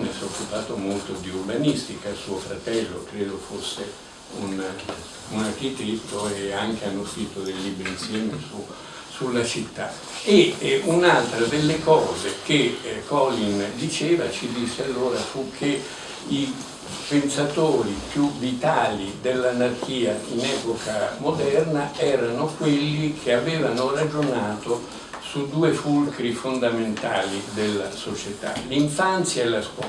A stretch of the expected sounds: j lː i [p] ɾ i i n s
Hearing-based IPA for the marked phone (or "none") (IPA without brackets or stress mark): b